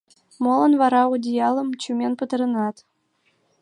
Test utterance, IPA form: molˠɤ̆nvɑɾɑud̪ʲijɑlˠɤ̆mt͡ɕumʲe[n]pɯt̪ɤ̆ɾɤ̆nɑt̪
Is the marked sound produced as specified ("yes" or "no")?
yes